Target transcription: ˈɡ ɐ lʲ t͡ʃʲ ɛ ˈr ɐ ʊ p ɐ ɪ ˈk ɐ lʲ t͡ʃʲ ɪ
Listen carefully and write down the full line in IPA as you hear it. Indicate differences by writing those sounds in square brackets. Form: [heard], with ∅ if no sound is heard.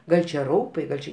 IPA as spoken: ˈɡ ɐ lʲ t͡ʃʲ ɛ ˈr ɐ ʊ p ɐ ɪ [ˈɡ] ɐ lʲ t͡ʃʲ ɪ